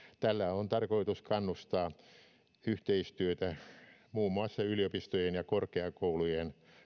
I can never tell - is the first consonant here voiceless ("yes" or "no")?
yes